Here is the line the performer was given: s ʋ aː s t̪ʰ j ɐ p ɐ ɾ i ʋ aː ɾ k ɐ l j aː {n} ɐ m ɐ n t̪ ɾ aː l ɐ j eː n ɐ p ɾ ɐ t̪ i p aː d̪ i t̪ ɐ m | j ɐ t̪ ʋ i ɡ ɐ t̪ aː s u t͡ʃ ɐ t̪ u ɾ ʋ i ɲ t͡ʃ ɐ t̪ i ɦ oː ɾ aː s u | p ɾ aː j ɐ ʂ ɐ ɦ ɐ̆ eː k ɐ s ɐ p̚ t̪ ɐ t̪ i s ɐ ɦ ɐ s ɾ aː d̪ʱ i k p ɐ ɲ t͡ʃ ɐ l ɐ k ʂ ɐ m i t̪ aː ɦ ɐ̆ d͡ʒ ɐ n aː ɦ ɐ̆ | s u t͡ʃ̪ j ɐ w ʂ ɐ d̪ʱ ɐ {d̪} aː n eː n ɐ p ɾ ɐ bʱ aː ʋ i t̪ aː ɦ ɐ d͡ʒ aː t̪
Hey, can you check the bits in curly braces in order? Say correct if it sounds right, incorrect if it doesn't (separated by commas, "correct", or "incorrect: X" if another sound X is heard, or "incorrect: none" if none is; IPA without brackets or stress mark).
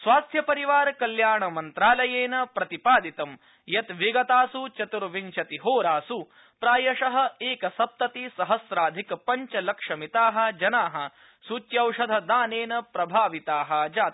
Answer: incorrect: ɳ, correct